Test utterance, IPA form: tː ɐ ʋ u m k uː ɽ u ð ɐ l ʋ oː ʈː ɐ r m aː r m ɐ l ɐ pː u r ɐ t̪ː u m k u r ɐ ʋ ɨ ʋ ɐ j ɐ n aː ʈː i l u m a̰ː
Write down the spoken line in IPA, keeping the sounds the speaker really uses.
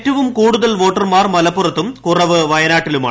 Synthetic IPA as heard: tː ɐ ʋ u m k uː ɽ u ð ɐ l ʋ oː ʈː ɐ r m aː r m ɐ l ɐ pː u r ɐ t̪ː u m k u r ɐ ʋ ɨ ʋ ɐ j ɐ n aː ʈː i l u m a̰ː